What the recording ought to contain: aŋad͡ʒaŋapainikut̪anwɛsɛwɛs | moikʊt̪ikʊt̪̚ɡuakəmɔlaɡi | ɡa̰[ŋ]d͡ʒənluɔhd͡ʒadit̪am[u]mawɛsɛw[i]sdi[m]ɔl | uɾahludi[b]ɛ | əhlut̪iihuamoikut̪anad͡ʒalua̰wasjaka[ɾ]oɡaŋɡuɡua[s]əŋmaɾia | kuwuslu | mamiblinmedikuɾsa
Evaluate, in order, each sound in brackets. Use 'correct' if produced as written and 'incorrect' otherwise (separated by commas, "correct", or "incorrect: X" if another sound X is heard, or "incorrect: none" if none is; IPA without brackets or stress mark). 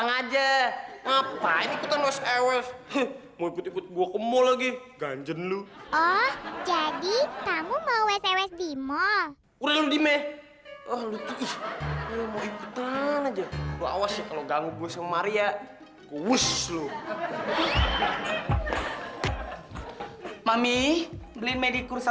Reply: incorrect: ɲ, correct, incorrect: ɛ, correct, incorrect: m, incorrect: l, correct